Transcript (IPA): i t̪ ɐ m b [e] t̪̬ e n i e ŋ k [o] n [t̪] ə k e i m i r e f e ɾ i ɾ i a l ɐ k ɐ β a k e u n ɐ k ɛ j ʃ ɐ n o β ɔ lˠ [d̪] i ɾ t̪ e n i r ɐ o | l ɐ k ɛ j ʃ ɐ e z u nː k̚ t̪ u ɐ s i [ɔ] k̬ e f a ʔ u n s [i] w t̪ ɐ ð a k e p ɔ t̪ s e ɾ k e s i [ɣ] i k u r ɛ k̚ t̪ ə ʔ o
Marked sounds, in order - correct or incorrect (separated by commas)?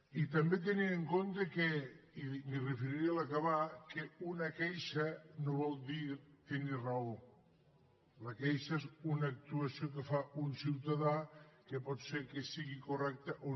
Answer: correct, correct, correct, correct, incorrect, correct, correct